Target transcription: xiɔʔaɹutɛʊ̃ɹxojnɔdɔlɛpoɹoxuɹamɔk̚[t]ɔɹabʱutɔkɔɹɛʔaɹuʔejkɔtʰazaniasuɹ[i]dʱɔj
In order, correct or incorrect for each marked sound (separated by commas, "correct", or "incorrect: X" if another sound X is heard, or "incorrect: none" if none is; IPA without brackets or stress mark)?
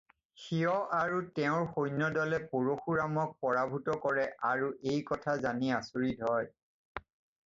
incorrect: p, correct